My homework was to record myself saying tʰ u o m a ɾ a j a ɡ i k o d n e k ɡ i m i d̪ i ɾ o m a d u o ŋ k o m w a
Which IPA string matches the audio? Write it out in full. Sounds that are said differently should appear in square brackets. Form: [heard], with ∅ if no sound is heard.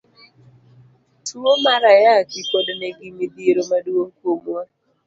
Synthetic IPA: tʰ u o m a ɾ a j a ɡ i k o d n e [∅] ɡ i m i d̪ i ɾ o m a d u o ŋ k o m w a